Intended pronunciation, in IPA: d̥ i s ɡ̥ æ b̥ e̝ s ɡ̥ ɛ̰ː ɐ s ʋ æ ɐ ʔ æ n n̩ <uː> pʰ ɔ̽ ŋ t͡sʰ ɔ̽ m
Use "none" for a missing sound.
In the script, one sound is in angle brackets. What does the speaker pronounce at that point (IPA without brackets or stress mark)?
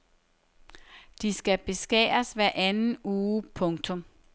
uː